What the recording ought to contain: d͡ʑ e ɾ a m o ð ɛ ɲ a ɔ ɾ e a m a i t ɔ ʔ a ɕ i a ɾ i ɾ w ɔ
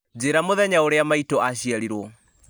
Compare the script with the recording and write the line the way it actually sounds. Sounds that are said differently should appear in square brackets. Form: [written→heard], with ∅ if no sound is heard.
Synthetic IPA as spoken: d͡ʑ e ɾ a m o ð ɛ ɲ a [ɔ→o] ɾ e a m a i t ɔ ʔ a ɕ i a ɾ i ɾ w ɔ